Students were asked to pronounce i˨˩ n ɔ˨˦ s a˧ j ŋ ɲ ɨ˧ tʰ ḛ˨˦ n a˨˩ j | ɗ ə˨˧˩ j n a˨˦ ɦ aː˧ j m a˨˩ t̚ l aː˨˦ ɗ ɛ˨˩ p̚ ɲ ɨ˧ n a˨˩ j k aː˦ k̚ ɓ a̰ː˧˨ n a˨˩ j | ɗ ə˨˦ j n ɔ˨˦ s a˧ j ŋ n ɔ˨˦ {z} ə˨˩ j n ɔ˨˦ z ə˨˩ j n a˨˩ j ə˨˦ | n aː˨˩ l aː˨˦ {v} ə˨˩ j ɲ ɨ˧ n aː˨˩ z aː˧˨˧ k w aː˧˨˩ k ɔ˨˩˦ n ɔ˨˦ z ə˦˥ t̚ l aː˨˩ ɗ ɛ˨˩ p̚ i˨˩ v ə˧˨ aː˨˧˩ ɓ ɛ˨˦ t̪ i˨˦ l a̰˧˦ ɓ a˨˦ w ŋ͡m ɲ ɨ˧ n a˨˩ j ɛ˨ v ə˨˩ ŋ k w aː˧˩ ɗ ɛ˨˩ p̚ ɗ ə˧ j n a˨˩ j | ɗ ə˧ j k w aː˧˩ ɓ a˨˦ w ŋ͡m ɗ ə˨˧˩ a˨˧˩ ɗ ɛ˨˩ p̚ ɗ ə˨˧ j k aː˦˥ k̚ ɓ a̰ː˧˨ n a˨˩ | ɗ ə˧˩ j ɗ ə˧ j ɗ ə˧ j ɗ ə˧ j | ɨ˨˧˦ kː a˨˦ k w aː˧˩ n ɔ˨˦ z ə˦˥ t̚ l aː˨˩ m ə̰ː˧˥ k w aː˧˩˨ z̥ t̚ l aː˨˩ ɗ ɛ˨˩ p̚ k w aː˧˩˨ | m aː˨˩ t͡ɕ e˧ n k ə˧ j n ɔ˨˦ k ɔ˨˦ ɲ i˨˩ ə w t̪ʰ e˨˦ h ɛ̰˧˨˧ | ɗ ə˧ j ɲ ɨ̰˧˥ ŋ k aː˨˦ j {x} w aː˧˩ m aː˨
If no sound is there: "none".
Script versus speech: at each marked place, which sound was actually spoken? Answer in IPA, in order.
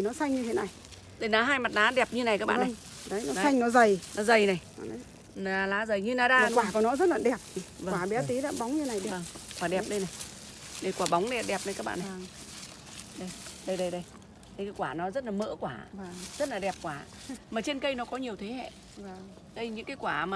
z, z, k

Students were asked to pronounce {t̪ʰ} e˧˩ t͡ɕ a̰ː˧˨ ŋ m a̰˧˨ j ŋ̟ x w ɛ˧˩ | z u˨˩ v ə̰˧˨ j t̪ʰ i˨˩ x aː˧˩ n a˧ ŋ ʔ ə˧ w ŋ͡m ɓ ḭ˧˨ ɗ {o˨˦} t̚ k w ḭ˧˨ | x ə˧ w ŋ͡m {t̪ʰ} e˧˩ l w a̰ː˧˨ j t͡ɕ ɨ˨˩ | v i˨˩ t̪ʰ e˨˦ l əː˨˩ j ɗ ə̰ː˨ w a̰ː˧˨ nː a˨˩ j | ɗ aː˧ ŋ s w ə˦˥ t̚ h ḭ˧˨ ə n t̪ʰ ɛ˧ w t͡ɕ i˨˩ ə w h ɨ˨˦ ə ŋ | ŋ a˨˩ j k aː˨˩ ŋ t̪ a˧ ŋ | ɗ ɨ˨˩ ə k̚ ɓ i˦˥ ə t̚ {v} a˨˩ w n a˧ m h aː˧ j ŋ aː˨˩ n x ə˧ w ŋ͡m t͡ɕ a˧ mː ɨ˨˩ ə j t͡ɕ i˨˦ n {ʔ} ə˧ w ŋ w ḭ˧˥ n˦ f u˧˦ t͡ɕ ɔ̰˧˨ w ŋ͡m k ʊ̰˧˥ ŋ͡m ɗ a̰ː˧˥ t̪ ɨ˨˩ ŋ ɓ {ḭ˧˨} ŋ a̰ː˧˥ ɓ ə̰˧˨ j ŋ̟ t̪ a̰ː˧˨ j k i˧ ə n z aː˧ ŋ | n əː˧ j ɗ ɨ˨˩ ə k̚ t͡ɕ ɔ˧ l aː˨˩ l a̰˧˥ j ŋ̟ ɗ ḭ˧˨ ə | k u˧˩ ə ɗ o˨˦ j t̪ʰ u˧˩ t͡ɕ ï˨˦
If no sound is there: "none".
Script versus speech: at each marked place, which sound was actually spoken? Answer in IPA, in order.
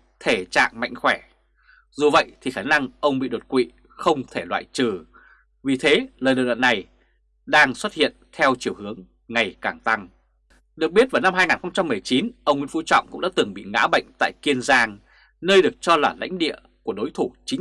t̪ʰ, o˨˩, t̪ʰ, v, ʔ, ḭ˧˨

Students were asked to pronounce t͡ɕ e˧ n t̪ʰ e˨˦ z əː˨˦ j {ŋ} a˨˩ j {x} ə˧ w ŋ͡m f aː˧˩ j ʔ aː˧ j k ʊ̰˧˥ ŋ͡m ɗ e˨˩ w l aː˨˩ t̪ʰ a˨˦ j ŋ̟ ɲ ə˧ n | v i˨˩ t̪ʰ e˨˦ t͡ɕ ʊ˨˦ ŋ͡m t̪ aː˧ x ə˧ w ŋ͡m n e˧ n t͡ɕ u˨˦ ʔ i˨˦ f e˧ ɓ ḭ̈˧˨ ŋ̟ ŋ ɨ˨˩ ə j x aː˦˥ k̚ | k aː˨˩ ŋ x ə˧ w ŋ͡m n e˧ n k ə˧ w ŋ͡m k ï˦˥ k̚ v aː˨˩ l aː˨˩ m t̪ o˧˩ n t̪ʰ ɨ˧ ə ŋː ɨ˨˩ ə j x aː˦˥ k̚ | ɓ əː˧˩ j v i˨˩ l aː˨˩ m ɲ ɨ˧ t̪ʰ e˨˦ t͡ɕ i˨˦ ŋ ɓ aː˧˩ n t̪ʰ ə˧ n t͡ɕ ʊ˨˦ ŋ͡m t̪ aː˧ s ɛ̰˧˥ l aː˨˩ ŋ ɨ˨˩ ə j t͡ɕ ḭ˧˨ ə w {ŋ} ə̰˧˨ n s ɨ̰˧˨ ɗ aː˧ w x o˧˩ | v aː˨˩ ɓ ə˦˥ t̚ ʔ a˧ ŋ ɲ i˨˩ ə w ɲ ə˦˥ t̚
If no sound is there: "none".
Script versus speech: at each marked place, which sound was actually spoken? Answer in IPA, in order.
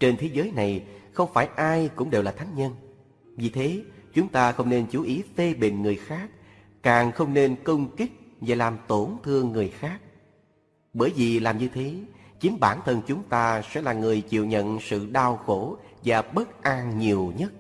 n, x, ɲ

